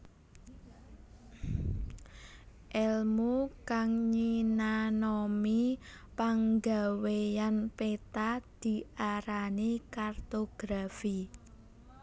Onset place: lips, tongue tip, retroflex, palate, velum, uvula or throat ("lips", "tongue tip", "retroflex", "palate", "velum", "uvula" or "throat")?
throat